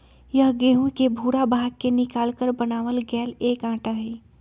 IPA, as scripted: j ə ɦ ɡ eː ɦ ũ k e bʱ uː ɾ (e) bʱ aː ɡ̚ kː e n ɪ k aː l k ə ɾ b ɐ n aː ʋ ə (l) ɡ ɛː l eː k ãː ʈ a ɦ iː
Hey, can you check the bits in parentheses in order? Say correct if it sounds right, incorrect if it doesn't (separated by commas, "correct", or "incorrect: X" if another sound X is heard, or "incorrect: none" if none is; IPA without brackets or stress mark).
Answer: incorrect: a, correct